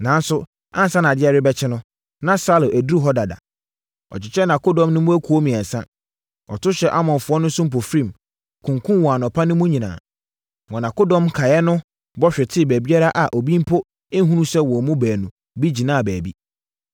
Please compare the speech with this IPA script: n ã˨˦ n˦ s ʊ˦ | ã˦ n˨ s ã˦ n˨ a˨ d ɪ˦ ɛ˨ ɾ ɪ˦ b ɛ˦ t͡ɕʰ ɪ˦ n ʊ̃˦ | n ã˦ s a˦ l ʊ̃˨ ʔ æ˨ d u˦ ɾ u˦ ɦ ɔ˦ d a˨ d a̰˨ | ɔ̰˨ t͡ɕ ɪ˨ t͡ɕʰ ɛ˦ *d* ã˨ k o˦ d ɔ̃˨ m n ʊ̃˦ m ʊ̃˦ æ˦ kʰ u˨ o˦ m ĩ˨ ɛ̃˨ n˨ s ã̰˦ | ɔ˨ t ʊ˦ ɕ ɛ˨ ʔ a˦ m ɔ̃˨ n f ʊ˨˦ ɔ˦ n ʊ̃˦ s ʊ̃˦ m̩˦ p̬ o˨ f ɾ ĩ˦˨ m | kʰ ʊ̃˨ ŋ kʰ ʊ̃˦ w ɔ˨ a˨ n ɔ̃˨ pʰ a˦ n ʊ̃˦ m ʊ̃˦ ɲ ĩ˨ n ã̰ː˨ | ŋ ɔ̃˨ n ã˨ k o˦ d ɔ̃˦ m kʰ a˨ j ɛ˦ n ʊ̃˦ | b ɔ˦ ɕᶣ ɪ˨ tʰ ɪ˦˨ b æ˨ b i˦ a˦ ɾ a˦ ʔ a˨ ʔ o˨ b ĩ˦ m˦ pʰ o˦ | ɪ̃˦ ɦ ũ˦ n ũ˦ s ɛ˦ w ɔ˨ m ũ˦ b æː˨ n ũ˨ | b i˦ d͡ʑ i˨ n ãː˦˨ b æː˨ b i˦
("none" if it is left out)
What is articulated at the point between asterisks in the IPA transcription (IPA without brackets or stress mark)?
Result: n